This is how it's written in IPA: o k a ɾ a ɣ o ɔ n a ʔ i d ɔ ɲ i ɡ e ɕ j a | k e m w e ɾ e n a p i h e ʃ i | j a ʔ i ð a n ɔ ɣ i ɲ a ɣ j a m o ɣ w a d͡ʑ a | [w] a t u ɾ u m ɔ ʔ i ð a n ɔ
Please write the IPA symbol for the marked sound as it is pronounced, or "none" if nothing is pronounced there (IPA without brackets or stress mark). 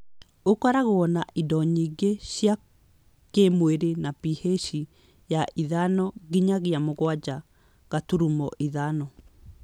ɣ